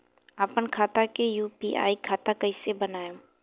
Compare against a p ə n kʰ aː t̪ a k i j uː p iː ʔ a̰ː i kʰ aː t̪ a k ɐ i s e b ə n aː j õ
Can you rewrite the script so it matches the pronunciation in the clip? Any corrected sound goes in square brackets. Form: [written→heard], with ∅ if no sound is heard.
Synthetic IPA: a p ə n kʰ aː t̪ a k [i→e] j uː p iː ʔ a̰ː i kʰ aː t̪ a k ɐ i s e b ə n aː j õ